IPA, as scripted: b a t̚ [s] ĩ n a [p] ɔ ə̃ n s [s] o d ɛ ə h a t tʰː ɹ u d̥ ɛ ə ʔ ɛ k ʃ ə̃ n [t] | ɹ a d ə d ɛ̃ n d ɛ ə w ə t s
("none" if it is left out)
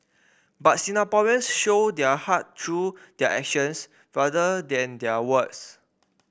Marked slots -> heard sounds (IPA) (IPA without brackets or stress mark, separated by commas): s, p, ʃ, s